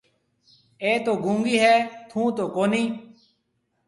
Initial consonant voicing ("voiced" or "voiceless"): voiceless